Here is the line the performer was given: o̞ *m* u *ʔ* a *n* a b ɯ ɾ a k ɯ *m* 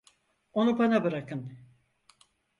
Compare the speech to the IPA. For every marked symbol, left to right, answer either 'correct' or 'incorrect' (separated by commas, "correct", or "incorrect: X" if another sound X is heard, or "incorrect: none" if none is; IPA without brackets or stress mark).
incorrect: n, incorrect: p, correct, incorrect: n